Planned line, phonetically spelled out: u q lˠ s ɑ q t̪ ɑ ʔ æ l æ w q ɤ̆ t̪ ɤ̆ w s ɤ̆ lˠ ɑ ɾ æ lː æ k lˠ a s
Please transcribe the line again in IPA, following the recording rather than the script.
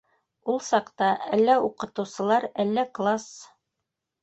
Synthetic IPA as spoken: u lˠ s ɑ q t̪ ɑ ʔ æ lː æ u q ɤ̆ t̪ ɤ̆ w s ɤ̆ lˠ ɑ ɾ æ lː æ k lˠ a s